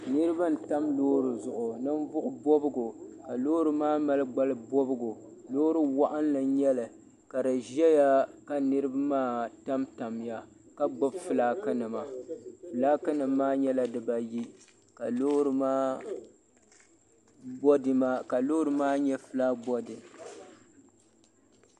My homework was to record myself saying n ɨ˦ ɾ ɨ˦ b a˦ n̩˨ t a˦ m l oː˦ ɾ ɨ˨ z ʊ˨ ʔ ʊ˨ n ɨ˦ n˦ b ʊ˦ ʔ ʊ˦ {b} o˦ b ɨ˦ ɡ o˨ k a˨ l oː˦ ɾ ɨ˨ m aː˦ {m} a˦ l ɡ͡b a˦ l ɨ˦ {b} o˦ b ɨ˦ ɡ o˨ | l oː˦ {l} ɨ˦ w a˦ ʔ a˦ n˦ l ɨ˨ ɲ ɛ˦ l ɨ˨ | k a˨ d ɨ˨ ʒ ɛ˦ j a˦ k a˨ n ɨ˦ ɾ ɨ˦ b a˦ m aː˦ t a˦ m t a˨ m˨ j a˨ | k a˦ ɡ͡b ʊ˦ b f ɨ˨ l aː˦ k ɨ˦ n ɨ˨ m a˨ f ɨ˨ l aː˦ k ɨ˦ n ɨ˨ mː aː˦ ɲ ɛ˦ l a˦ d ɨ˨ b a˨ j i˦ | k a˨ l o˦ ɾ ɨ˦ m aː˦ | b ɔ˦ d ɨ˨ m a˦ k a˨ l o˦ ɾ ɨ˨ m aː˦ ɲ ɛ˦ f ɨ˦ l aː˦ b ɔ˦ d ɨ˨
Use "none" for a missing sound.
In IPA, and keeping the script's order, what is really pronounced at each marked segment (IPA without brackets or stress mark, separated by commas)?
b, m, b, ɾ